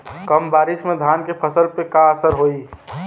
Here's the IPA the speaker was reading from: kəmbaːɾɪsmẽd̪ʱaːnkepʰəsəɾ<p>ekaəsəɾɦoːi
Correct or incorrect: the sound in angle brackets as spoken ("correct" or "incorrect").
correct